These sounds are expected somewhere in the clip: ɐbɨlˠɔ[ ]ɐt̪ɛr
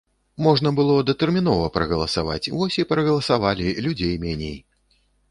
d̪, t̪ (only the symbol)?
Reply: d̪